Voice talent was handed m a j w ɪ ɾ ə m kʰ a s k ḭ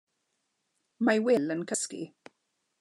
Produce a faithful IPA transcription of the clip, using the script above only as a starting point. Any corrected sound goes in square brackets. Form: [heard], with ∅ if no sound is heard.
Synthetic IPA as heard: m a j w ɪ [l] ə [n] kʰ [ə] s k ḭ